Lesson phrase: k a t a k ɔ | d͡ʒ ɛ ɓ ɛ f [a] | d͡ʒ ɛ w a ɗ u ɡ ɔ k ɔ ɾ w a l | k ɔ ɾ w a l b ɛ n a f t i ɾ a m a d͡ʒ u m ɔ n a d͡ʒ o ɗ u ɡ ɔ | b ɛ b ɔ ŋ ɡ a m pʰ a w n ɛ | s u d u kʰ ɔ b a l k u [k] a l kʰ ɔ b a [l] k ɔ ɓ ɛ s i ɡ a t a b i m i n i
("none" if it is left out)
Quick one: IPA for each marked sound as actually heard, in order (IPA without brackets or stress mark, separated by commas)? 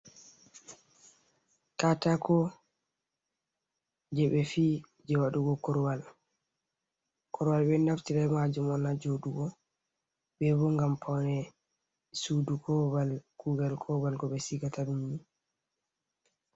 i, ɡ, l